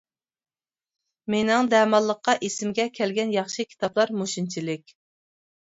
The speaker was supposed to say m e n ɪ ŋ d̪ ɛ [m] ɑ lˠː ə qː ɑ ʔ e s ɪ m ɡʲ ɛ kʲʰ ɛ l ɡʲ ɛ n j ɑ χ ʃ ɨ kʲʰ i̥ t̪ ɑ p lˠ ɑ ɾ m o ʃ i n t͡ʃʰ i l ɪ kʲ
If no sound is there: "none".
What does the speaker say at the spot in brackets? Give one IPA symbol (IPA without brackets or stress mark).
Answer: m